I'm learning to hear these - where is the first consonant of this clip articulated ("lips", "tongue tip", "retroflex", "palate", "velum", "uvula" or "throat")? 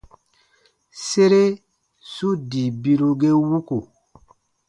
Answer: tongue tip